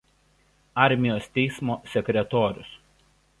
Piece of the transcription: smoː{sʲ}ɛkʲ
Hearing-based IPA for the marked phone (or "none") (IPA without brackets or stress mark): sʲ